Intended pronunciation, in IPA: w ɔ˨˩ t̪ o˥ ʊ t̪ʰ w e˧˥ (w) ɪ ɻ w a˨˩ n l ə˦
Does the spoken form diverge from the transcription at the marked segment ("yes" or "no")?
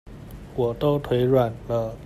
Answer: yes